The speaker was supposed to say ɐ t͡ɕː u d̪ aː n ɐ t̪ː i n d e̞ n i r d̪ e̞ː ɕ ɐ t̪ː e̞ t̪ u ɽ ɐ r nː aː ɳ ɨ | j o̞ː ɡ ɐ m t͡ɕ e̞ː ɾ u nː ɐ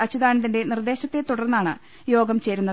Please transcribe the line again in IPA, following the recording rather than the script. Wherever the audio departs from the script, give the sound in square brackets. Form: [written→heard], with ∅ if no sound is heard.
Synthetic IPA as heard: ɐ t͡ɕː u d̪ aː n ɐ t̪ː i n d e̞ n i r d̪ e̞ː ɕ ɐ t̪ː e̞ t̪ u ɽ ɐ r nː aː ɳ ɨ | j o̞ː ɡ ɐ m t͡ɕ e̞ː ɾ u nː ɐ